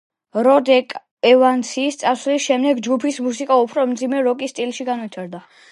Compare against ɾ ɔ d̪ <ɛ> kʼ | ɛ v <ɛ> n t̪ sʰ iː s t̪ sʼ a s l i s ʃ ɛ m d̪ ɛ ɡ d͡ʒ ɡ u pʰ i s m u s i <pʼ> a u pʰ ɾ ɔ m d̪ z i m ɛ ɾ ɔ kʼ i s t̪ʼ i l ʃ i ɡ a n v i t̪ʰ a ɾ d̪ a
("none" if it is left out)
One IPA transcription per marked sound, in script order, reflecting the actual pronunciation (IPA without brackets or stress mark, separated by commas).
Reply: ɛ, a, kʼ